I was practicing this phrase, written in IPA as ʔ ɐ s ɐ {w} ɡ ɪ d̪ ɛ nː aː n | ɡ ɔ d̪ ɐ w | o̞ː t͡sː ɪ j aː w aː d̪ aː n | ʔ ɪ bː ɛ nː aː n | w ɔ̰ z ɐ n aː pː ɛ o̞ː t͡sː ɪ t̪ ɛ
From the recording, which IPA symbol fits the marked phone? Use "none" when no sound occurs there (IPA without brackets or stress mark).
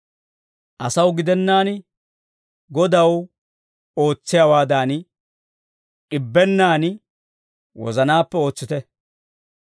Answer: w